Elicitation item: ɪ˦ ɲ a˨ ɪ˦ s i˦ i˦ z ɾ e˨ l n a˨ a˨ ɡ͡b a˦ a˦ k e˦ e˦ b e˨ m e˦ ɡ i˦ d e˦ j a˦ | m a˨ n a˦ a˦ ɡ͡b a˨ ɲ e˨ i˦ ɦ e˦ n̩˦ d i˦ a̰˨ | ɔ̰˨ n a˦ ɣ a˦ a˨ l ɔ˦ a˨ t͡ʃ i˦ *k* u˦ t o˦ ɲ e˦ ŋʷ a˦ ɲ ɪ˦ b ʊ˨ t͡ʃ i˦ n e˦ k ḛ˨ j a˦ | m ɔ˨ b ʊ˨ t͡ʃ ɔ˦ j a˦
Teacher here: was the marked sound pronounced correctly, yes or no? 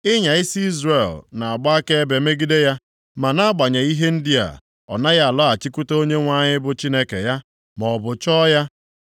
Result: yes